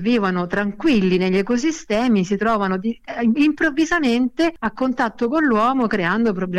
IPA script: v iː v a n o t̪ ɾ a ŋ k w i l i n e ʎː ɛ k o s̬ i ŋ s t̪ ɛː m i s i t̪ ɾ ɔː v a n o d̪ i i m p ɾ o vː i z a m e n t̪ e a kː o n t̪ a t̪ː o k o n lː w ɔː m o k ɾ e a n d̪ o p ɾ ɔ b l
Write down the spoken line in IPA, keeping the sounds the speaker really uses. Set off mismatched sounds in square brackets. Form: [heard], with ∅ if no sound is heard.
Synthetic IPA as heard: v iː v a n o t̪ ɾ a ŋ k w i [lː] i n e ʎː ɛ k o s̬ i [∅] s t̪ ɛː m i s i t̪ ɾ ɔː v a n o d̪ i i m p ɾ o vː i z a m e n t̪ e a kː o n t̪ a t̪ː o k o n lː w ɔː m o k ɾ e a n d̪ o p ɾ [o] b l